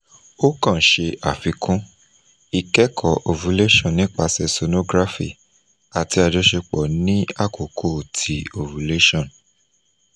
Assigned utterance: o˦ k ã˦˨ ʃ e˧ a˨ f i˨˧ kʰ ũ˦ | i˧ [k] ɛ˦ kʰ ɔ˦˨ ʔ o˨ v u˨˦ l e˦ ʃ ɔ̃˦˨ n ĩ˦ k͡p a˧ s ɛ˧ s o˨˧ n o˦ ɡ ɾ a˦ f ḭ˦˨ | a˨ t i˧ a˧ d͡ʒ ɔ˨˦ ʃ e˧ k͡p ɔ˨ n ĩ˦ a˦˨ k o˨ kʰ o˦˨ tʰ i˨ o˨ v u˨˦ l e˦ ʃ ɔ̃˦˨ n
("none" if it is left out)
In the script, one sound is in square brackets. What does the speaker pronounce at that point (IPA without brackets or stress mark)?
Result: k